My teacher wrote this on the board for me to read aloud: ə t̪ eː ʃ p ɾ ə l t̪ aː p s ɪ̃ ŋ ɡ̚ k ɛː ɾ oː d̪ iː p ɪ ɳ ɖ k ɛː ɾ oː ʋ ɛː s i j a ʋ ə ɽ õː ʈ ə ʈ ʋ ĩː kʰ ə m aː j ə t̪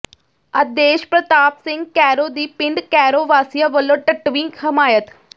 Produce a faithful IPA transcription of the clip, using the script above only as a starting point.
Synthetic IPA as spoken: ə d̪ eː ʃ p ɾ ə t̪ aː p s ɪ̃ ŋ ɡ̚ k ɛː ɾ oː d̪ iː p ɪ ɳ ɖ k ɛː ɾ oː ʋ aː s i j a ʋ ə l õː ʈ ə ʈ ʋ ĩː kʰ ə m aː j ə t̪